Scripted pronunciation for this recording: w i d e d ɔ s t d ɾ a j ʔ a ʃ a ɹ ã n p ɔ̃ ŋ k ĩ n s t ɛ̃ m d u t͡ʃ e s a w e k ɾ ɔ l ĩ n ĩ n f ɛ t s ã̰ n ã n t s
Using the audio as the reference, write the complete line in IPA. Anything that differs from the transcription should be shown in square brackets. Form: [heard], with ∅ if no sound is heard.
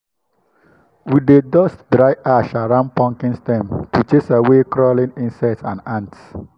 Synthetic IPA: w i d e d ɔ s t d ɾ a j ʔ a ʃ a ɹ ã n p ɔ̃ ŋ k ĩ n s t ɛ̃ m [t] u t͡ʃ e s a w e k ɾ ɔ l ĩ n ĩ n [s] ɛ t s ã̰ n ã n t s